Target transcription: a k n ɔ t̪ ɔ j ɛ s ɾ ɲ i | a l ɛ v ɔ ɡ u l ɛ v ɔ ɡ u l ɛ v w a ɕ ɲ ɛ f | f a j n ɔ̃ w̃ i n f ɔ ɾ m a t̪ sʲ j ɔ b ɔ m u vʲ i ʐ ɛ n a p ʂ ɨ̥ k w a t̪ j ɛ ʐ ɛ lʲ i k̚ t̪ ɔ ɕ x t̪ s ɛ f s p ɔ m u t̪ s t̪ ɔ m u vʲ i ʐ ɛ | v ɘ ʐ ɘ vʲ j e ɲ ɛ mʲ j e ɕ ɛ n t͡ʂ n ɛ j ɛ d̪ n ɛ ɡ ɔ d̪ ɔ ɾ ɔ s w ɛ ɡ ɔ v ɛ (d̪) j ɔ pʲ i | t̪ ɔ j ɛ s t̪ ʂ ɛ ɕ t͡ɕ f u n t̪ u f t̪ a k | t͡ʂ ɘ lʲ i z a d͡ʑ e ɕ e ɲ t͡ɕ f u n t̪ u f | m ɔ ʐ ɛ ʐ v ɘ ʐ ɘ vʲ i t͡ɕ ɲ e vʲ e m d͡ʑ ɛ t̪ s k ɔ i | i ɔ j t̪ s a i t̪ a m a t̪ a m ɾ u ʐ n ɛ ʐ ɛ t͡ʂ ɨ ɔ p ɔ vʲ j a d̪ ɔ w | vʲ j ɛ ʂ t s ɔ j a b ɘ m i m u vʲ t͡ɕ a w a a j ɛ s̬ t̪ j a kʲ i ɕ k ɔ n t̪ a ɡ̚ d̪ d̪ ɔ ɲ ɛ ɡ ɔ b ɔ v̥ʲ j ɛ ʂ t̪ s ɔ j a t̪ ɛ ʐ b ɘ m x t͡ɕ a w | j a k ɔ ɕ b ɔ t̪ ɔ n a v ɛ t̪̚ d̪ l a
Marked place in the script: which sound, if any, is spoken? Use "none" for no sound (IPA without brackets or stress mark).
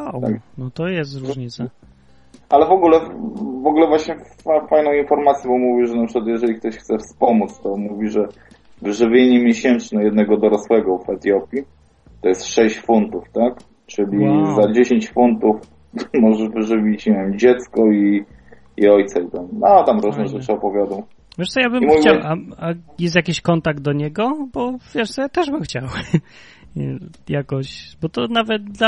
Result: t̪